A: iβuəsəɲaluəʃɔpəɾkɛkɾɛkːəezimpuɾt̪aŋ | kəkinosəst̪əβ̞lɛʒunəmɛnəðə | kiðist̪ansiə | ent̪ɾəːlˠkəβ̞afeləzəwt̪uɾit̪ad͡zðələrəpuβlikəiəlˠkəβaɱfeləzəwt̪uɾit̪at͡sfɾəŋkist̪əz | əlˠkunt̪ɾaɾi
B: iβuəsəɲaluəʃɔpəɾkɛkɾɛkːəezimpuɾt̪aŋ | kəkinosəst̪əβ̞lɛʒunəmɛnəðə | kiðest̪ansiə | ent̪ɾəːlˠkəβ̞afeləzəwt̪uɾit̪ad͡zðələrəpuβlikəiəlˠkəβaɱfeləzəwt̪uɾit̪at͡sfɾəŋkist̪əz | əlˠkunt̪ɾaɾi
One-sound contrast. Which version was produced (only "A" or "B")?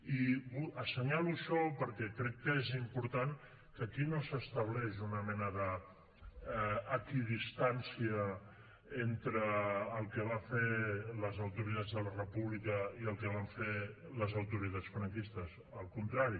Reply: A